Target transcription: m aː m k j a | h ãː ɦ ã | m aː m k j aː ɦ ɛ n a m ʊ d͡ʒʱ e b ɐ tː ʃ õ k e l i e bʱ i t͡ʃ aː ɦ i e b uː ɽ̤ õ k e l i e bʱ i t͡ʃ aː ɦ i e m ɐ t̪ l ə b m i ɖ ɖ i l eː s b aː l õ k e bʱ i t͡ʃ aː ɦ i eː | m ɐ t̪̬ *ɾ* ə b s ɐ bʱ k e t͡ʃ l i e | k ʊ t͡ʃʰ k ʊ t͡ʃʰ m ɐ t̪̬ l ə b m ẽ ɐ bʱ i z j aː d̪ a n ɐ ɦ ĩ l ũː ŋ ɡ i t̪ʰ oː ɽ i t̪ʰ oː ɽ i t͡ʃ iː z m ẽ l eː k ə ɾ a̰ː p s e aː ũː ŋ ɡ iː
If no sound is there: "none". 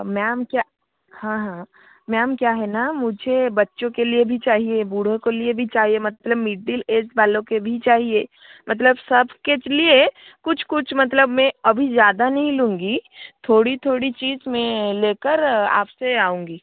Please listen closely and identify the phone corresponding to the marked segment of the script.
l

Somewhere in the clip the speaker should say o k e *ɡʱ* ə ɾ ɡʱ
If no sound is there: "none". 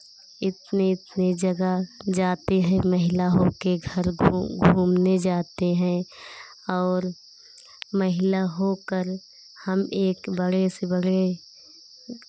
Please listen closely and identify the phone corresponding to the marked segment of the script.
ɡʱ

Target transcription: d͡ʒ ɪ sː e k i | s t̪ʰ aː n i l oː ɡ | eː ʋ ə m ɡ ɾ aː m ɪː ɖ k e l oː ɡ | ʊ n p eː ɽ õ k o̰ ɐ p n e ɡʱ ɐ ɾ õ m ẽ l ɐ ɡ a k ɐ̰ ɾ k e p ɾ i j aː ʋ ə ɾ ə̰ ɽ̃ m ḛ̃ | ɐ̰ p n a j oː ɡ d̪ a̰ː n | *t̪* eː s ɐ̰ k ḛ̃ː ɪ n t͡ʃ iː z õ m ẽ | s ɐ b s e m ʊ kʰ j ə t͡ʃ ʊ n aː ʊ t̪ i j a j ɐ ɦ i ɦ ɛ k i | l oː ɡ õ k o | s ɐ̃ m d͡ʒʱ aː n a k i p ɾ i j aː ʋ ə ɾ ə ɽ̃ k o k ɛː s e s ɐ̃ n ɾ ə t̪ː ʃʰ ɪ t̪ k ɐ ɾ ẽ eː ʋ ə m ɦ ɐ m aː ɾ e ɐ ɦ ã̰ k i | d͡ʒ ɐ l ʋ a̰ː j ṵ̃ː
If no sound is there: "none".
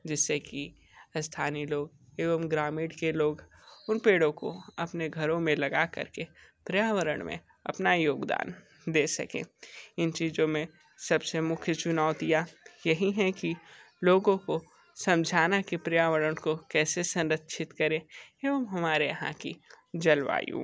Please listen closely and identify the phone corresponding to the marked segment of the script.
d̪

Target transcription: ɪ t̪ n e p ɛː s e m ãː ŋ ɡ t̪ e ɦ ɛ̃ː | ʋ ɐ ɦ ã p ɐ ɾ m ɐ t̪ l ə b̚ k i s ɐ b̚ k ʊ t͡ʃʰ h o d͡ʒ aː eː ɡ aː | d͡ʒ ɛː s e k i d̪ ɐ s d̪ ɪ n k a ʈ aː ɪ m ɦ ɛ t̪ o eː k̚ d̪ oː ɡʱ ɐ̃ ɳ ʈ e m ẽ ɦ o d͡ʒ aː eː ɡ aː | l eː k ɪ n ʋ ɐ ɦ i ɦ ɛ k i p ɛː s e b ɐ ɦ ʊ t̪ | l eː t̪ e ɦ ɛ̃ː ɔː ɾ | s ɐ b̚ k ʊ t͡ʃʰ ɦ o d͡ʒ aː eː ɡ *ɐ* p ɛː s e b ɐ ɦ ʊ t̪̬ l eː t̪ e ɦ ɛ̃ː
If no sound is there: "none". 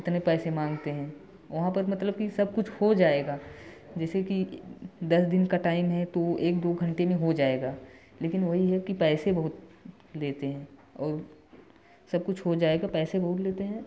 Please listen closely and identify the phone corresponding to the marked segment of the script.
a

